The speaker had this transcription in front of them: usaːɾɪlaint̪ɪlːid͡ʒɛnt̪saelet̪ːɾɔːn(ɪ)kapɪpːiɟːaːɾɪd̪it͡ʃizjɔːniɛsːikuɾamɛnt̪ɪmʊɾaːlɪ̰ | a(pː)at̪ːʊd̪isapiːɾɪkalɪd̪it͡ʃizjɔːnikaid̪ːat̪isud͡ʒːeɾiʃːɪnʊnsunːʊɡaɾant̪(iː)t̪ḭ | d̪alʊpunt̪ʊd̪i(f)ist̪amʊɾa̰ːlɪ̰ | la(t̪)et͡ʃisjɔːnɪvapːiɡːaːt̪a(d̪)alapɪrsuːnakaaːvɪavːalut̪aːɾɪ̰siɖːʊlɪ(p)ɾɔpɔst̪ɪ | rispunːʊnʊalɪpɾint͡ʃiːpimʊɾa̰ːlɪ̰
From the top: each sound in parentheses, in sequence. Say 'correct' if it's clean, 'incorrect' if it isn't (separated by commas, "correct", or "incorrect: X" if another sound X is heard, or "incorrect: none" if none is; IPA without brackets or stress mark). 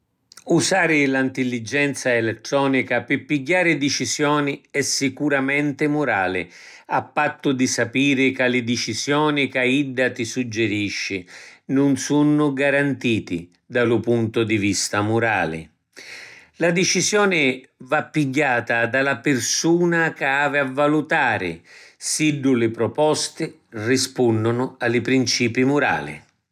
incorrect: i, correct, correct, incorrect: v, incorrect: d̪, correct, correct